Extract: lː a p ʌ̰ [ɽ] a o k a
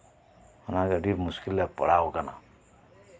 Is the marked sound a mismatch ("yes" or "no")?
no